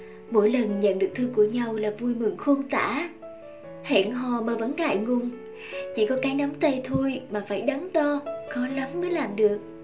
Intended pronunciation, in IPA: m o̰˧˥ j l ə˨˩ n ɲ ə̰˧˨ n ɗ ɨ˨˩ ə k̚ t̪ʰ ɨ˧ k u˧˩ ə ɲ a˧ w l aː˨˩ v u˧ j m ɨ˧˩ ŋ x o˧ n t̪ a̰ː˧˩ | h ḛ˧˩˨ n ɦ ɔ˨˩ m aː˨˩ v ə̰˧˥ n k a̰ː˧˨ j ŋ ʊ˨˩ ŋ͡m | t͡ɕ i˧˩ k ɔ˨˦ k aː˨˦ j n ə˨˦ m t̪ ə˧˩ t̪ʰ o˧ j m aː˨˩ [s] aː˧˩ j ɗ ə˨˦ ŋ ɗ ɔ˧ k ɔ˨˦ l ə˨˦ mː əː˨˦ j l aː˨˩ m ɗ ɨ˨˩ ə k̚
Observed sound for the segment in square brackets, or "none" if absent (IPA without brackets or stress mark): f